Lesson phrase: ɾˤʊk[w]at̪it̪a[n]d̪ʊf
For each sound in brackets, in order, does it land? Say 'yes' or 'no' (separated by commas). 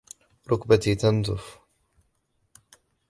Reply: no, yes